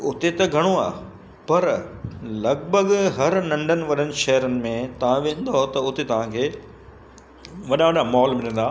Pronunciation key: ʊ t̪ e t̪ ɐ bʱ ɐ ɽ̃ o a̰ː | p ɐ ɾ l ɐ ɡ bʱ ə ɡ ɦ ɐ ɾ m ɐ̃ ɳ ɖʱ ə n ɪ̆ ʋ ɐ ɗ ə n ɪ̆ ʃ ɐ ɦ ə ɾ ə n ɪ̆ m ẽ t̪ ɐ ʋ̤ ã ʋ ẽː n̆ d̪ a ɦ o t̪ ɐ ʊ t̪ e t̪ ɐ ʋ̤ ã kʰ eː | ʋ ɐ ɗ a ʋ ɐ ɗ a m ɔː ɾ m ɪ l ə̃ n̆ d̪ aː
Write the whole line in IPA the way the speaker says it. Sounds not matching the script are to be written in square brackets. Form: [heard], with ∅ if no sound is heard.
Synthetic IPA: ʊ t̪ e t̪ ɐ [ɡʱ] ɐ ɽ̃ o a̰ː | p ɐ ɾ l ɐ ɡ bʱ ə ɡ ɦ ɐ ɾ [n] ɐ̃ ɳ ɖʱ ə n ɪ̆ ʋ ɐ ɗ ə n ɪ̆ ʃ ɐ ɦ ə ɾ ə n ɪ̆ m ẽ t̪ ɐ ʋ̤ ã ʋ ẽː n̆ d̪ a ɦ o t̪ ɐ ʊ t̪ e t̪ ɐ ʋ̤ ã kʰ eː | ʋ ɐ ɗ a ʋ ɐ ɗ a m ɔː [l] m ɪ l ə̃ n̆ d̪ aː

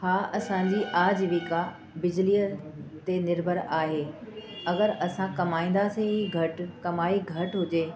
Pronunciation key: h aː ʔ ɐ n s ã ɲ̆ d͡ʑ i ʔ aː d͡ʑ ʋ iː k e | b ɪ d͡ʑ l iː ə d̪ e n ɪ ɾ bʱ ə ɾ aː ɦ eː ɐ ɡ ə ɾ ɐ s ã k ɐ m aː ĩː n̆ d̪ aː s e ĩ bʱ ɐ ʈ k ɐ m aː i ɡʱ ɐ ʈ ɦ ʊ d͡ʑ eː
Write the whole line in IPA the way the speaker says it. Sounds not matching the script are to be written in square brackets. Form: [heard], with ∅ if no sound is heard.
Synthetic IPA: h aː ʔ ɐ [∅] s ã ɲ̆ d͡ʑ i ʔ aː d͡ʑ ʋ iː k [a] | b ɪ d͡ʑ l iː ə [t̪] e n ɪ ɾ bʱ ə ɾ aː ɦ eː ɐ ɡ ə ɾ ɐ s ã k ɐ m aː ĩː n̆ d̪ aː s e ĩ [ɡʱ] ɐ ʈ k ɐ m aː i ɡʱ ɐ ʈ ɦ ʊ d͡ʑ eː

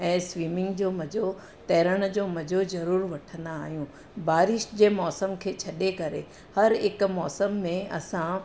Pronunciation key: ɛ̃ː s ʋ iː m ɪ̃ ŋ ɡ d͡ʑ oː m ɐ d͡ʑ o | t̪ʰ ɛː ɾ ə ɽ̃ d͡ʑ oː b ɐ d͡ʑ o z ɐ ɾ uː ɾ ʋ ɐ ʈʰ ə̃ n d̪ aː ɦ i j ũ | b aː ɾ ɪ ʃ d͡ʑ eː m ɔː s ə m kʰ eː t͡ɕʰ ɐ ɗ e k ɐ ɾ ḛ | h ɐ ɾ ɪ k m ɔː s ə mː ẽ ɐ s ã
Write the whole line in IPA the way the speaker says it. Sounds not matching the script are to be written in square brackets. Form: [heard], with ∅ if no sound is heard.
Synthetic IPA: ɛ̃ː s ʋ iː m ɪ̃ ŋ ɡ d͡ʑ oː m ɐ d͡ʑ o | [t̪] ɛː ɾ ə ɽ̃ d͡ʑ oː [m] ɐ d͡ʑ o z ɐ ɾ uː ɾ ʋ ɐ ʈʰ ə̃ n d̪ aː ɦ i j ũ | b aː ɾ ɪ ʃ d͡ʑ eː m ɔː s ə m kʰ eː t͡ɕʰ ɐ ɗ e k ɐ ɾ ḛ | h ɐ ɾ ɪ k m ɔː s ə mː ẽ ɐ s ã

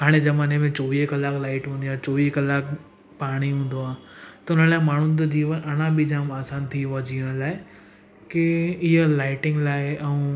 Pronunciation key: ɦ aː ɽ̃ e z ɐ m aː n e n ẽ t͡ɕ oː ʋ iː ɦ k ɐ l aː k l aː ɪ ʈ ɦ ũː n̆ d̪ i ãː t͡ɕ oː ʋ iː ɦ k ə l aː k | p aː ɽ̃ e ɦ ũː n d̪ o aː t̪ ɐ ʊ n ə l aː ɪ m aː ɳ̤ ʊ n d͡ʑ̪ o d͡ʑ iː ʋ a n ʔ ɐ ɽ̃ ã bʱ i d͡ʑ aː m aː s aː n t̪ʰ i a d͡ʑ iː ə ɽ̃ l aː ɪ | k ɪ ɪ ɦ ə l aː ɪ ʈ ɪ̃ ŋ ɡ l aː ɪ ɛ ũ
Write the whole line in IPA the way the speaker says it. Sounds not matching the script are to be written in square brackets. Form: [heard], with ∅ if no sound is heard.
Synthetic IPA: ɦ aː ɽ̃ e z ɐ m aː n e [m] ẽ t͡ɕ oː ʋ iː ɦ k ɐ l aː k l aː ɪ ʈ ɦ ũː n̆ d̪ i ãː t͡ɕ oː ʋ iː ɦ k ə l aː k | p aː ɽ̃ [i] ɦ ũː n d̪ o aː t̪ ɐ ʊ n ə l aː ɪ m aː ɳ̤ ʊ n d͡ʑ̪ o d͡ʑ iː ʋ [ə] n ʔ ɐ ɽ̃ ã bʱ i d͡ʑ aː m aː s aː n t̪ʰ i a d͡ʑ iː ə ɽ̃ l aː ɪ | k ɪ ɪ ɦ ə l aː ɪ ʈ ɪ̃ ŋ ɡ l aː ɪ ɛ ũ

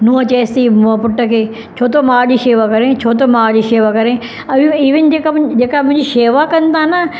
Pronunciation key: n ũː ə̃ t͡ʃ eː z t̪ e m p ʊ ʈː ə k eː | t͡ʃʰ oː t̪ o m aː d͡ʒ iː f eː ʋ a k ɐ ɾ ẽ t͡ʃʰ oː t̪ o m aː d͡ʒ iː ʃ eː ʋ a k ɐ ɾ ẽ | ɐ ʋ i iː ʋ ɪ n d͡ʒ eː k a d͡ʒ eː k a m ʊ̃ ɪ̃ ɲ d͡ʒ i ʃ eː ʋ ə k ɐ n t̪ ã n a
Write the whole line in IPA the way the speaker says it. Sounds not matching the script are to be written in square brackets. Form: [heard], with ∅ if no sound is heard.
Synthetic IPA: n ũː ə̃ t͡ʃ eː [s] t̪ [i] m p ʊ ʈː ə k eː | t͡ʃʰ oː t̪ o m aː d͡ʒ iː [ʃ] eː ʋ a k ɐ ɾ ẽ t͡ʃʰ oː t̪ o m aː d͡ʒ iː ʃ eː ʋ a k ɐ ɾ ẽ | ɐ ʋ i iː ʋ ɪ n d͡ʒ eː k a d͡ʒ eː k a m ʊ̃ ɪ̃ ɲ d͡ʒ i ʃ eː ʋ [a] k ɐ n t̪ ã n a

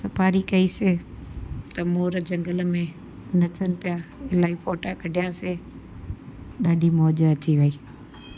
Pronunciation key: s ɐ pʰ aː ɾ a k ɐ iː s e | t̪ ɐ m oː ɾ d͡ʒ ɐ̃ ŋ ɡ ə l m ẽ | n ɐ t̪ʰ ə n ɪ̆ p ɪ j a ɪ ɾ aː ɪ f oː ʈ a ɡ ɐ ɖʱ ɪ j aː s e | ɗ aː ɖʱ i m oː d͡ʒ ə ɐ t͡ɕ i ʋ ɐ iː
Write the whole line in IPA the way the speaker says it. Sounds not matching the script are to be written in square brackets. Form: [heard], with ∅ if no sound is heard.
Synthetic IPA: s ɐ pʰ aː ɾ [i] k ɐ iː s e | t̪ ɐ m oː ɾ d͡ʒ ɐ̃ ŋ ɡ ə l m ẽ | n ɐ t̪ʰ ə n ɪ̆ p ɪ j a ɪ [l] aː [i] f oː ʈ a [k] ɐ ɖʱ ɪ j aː s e | ɗ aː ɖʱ i m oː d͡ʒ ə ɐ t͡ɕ i ʋ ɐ iː

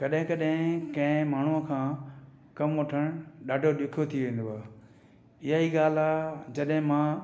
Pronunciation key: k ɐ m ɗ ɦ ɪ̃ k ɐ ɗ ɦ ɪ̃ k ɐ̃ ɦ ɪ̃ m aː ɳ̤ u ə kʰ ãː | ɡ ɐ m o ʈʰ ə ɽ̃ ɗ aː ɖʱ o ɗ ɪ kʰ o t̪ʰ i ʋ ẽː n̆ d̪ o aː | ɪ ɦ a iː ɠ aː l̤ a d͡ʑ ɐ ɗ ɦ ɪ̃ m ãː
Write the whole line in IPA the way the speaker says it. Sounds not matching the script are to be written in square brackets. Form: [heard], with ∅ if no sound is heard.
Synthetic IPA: k ɐ [∅] ɗ ɦ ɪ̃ k ɐ ɗ ɦ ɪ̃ k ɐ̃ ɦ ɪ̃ m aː ɳ̤ u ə kʰ ãː | [k] ɐ m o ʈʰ ə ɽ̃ ɗ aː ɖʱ o ɗ ɪ kʰ o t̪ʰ i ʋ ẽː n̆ d̪ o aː | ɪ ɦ a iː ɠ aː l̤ a d͡ʑ ɐ ɗ ɦ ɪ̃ m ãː

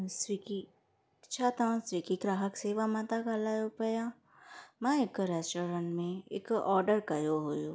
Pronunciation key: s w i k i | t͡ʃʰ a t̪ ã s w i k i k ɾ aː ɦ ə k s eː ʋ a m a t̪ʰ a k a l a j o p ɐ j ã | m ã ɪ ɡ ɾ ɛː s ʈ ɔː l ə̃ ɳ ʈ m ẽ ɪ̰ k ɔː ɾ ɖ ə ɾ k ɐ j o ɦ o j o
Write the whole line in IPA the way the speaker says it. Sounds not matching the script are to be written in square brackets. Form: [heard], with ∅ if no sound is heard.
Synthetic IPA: s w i k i | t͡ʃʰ a t̪ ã s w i k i k ɾ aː ɦ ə k s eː ʋ a m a [t̪] a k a l a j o p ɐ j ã | m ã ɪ [k] ɾ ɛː s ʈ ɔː [ɾ] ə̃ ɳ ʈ m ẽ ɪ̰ k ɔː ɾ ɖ ə ɾ k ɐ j o ɦ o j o

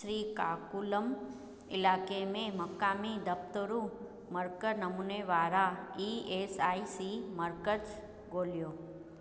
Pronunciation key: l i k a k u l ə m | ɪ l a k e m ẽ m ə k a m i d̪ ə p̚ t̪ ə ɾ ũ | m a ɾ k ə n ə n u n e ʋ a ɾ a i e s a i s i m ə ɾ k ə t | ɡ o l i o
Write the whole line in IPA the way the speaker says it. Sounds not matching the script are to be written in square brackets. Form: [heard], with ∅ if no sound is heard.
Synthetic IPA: [ɾ] i k a k u l ə m | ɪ l a k e m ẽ m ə k a m i d̪ ə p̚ t̪ ə ɾ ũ | m [ə] ɾ k ə n ə [m] u n e ʋ a ɾ a i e s a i s i m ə ɾ k ə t | ɡ o l [j] o

